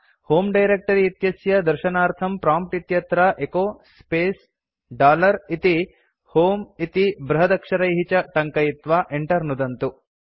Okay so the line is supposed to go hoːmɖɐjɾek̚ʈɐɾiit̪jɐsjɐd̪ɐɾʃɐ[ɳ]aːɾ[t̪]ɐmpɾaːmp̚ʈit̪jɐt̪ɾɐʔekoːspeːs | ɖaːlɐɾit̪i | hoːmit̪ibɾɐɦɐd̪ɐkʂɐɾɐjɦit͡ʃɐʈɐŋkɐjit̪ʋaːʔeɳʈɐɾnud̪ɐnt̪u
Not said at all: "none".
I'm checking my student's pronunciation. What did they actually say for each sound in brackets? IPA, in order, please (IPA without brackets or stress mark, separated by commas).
n, t̪ʰ